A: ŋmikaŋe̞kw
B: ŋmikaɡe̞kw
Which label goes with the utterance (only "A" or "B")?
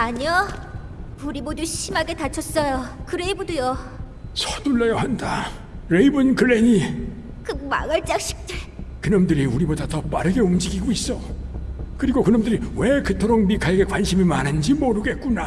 B